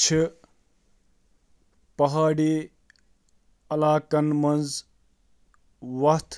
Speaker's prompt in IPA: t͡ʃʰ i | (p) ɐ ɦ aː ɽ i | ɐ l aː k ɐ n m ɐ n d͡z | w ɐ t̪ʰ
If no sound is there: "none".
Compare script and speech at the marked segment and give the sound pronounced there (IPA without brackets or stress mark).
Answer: p